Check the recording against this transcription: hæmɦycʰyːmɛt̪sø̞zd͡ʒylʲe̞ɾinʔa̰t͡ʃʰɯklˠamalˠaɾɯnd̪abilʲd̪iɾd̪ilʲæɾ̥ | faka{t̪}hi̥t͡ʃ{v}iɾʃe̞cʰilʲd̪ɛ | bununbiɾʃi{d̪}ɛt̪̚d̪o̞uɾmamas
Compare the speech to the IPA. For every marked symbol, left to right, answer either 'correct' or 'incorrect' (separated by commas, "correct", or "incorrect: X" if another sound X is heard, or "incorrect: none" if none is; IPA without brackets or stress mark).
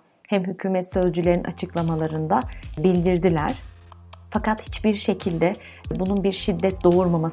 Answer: correct, incorrect: b, incorrect: d̪ː